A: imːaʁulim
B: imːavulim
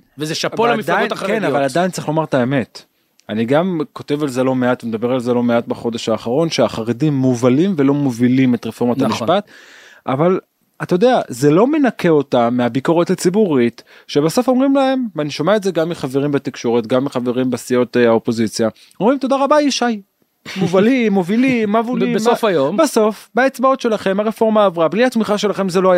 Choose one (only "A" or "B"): B